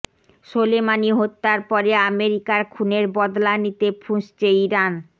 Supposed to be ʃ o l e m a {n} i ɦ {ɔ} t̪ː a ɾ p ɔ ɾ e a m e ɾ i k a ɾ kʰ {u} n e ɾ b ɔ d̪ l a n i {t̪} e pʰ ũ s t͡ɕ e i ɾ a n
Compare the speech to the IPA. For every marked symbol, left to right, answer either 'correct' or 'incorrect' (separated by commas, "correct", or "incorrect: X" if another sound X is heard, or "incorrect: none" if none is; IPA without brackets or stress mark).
correct, incorrect: o, correct, correct